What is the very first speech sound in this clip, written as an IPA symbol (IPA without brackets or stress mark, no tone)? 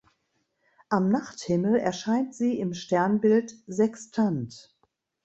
ʔ